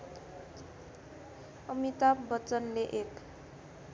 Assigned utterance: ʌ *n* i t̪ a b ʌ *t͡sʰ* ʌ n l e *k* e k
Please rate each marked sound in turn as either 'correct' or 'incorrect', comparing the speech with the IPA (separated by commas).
incorrect, incorrect, incorrect